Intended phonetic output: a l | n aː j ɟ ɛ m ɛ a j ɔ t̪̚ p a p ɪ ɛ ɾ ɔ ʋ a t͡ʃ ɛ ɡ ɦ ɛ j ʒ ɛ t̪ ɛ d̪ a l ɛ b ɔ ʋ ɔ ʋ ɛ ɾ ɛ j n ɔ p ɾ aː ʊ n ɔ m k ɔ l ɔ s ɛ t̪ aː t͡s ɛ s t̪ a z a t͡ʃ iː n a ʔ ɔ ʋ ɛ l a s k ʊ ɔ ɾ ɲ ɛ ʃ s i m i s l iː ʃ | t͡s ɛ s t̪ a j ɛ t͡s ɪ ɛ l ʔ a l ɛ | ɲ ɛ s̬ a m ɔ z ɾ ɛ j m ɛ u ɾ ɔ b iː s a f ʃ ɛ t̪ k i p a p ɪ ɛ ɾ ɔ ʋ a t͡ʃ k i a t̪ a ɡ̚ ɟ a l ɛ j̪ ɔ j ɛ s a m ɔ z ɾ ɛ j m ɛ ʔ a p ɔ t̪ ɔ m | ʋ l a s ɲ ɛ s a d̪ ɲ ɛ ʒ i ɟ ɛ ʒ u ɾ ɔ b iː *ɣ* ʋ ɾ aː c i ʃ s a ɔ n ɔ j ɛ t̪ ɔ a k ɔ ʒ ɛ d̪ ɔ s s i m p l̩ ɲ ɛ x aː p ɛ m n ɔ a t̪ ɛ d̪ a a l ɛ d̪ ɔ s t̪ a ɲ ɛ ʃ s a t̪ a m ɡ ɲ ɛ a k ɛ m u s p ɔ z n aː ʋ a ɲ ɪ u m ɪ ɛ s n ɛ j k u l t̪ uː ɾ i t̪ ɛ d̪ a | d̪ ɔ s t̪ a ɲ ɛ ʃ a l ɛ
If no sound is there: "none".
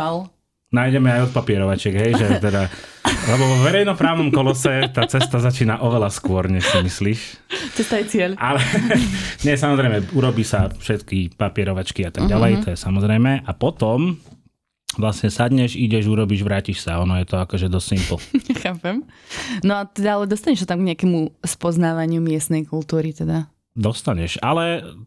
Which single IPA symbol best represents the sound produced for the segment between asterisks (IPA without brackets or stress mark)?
ʒ